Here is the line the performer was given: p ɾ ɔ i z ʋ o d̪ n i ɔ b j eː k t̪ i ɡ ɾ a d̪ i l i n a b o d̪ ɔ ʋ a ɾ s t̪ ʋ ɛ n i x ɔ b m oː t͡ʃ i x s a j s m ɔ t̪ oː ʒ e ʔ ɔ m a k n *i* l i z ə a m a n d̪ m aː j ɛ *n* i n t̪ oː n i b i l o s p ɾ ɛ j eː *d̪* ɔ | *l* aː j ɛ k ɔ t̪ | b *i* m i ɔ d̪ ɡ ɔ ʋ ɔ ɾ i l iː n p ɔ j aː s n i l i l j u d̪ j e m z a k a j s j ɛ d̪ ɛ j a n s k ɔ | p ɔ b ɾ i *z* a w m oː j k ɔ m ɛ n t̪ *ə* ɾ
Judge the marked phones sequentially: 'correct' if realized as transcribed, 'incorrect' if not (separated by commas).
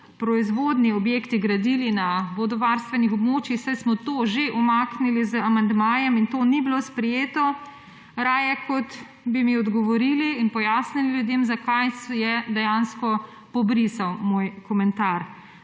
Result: correct, incorrect, incorrect, incorrect, correct, incorrect, incorrect